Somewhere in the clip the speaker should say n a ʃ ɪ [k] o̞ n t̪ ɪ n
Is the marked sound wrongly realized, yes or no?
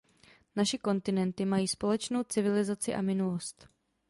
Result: no